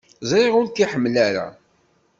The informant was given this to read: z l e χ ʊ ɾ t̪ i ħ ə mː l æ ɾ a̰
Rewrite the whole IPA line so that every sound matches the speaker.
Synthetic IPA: z ɾ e ʁ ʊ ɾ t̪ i ħ ə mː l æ ɾ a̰